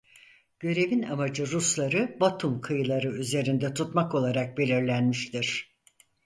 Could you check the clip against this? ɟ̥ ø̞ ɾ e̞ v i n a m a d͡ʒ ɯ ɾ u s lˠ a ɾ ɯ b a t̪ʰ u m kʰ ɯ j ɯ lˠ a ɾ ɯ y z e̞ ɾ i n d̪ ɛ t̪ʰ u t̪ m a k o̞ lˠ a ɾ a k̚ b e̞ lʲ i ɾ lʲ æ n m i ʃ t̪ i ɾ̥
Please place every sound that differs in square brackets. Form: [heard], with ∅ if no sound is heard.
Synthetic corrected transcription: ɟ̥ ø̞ ɾ e̞ v i n a m a d͡ʒ ɯ ɾ u s lˠ a ɾ ɯ b a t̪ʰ u m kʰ ɯ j ɯ lˠ a ɾ ɯ y z e̞ ɾ i n d̪ ɛ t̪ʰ u t̪ m a k o̞ lˠ a ɾ a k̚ b e̞ lʲ i ɾ lʲ æ n m i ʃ t̪ i ɾ̥

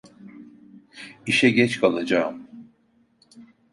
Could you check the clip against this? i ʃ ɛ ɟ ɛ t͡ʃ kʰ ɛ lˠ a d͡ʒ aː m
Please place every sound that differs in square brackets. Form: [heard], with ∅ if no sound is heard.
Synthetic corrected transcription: i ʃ ɛ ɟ ɛ t͡ʃ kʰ [a] lˠ a d͡ʒ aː m

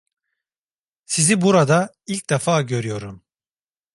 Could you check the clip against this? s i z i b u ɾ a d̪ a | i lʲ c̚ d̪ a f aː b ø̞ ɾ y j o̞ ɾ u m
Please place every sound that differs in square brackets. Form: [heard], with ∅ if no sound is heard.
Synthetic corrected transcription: s i z i b u ɾ a d̪ a | i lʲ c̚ d̪ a f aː [ɟ] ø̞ ɾ y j o̞ ɾ u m

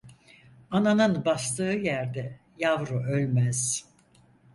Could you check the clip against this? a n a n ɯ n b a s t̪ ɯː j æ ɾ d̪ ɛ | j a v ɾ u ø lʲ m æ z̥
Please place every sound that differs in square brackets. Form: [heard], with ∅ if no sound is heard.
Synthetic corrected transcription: a n a n ɯ n b a s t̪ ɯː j æ ɾ d̪ ɛ | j a v ɾ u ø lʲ m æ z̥

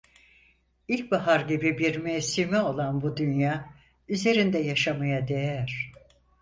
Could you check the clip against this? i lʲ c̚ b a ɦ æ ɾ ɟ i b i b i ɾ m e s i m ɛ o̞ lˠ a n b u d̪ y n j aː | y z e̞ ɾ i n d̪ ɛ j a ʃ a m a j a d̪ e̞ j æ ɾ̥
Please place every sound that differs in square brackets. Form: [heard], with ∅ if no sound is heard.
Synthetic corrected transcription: i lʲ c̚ b a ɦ [a] ɾ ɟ i b i b i ɾ m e s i m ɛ o̞ lˠ a n b u d̪ y n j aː | y z e̞ ɾ i n d̪ ɛ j a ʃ a m a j a d̪ e̞ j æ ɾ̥

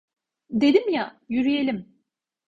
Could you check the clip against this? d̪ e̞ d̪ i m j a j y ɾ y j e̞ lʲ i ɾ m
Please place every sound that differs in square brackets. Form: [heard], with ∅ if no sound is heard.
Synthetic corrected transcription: d̪ e̞ d̪ i m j a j y ɾ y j e̞ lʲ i [∅] m

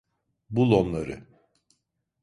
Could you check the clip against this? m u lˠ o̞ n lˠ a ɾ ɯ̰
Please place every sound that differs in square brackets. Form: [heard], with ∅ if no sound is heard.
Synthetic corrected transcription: [b] u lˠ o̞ n lˠ a ɾ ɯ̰

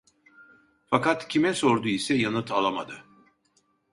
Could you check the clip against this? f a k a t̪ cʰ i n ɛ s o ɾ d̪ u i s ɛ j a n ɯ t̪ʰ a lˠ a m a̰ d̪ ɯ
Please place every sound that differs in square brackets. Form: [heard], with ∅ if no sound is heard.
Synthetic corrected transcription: f a k a t̪ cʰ i [m] ɛ s o ɾ d̪ u i s ɛ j a n ɯ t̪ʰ a lˠ a m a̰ d̪ ɯ

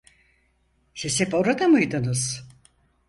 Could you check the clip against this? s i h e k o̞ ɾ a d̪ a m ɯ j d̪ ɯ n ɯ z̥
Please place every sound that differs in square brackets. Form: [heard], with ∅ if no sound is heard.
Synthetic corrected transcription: s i [s] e [p] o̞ ɾ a d̪ a m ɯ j d̪ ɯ n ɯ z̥

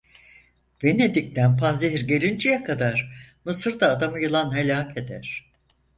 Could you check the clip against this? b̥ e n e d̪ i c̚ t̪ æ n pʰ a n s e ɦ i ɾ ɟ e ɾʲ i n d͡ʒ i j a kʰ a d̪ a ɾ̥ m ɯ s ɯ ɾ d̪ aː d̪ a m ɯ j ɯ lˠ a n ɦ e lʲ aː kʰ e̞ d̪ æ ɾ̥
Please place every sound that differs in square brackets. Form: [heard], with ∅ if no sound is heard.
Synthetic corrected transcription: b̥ e n e d̪ i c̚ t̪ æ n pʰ a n [z] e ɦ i ɾ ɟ e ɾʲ i n d͡ʒ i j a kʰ a d̪ a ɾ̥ m ɯ s ɯ ɾ d̪ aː d̪ a m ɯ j ɯ lˠ a n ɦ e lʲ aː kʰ e̞ d̪ æ ɾ̥

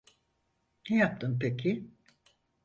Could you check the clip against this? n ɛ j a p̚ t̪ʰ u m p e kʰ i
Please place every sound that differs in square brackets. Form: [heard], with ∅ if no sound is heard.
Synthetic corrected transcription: n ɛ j a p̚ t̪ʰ [ɯ] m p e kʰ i

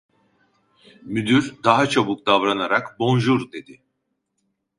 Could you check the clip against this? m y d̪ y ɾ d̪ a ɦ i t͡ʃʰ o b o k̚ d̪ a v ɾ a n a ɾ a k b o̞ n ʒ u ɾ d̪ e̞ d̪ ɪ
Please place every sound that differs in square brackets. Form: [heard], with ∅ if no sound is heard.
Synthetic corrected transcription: m y d̪ y ɾ d̪ a ɦ [a] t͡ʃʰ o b [u] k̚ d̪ a v ɾ a n a ɾ a k b o̞ n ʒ u ɾ d̪ e̞ d̪ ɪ

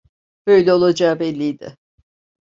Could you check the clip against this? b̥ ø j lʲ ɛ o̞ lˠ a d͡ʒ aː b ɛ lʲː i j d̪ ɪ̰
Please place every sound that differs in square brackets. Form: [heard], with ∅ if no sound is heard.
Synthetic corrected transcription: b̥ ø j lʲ ɛ o̞ lˠ a d͡ʒ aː b ɛ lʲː i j d̪ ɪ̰

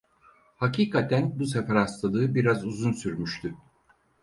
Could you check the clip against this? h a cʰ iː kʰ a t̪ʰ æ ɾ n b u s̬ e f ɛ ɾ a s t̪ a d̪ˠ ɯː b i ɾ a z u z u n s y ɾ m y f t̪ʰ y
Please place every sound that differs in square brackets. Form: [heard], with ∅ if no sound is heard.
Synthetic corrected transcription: h a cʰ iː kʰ a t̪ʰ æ [∅] n b u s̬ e f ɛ ɾ a s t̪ a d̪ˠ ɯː b i ɾ a z u z u n s y ɾ m y [ʃ] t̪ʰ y

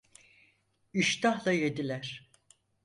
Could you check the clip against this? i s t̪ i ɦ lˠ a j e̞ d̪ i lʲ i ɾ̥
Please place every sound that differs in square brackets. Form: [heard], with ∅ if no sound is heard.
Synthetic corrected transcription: i [ʃ] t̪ [a] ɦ lˠ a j e̞ d̪ i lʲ [æ] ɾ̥

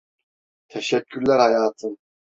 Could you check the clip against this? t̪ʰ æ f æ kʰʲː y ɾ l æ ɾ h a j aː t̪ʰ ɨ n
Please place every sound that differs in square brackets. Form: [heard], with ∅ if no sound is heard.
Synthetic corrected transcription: t̪ʰ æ [ʃ] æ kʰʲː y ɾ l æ ɾ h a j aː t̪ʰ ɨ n

